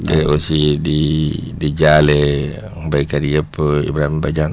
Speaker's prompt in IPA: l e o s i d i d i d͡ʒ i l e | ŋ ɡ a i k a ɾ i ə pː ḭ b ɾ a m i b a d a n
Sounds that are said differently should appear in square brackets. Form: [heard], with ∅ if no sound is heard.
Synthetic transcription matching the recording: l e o s i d i d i d͡ʒ [a] l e | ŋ [b] a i k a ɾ i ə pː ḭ b ɾ a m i b a [d͡ʒ] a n